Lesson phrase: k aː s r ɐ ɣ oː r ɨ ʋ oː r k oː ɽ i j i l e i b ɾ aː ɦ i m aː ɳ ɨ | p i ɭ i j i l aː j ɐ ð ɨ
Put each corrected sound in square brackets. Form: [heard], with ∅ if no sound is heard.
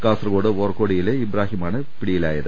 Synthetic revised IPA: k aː s r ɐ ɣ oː [ɽ] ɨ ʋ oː r k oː ɽ i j i l e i b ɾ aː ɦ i m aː ɳ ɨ | p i [ɽ] i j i l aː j ɐ ð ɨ